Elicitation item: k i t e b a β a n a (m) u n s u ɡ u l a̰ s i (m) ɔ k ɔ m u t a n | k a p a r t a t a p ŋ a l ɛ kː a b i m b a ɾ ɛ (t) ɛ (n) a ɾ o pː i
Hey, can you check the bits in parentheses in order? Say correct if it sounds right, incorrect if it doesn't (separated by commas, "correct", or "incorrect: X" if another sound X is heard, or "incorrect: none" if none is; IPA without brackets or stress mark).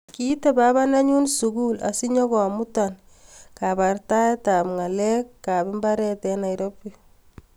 incorrect: ɲ, incorrect: ɲ, correct, correct